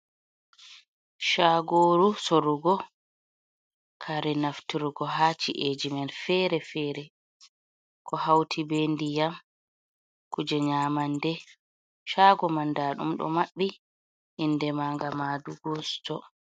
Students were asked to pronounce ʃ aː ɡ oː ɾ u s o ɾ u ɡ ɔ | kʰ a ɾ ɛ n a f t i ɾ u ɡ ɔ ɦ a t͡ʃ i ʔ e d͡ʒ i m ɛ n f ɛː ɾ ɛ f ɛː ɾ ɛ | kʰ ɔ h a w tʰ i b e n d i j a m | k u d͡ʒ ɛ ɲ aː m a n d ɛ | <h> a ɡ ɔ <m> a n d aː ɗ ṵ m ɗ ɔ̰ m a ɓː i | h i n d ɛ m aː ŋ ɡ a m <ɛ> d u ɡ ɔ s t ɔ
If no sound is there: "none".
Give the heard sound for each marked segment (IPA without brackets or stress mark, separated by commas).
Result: ʃ, m, a